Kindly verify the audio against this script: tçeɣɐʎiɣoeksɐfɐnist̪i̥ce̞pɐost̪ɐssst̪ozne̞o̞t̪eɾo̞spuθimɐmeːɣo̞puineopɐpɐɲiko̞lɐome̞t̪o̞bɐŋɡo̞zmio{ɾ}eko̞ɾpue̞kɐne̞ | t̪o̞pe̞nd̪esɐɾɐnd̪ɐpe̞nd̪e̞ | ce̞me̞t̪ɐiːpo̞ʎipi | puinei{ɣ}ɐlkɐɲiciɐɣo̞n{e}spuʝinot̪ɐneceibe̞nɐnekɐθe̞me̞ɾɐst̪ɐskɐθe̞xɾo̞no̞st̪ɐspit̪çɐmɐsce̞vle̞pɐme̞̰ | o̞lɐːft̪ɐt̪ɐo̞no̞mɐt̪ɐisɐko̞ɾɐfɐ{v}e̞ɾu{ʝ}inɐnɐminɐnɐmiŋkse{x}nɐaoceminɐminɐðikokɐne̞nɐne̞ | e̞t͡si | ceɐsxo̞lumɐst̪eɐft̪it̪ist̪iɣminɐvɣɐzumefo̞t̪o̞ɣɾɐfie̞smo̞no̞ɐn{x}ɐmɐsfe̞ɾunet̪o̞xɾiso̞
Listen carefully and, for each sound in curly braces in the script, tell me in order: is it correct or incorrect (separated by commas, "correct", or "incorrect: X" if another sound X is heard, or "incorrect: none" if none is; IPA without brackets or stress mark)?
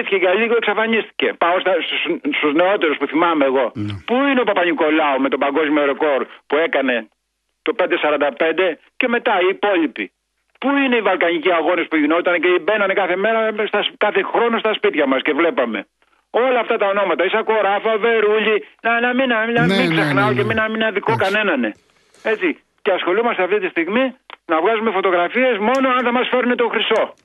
correct, incorrect: v, correct, correct, incorrect: ʎ, correct, incorrect: θ